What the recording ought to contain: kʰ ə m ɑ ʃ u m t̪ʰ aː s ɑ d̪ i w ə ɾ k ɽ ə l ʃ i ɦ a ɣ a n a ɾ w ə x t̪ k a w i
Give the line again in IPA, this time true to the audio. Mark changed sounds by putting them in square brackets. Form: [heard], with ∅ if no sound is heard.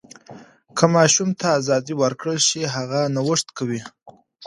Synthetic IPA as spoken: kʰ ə m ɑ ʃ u m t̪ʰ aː [z] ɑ d̪ i w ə ɾ k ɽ ə l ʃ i ɦ a ɣ a n a [∅] w ə [ʂ] t̪ k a w i